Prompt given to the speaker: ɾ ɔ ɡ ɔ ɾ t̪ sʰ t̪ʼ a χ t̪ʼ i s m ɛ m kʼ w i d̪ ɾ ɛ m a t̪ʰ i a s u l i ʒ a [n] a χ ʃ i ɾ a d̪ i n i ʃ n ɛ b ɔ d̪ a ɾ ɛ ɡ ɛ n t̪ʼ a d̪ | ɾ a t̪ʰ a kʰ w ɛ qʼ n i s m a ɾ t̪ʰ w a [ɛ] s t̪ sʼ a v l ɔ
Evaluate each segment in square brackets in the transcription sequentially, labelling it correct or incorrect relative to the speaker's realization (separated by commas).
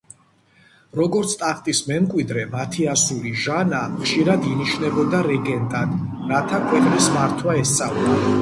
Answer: correct, correct